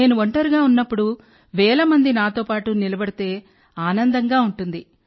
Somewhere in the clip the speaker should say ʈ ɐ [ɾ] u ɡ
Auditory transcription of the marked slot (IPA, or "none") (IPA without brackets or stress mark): ɾ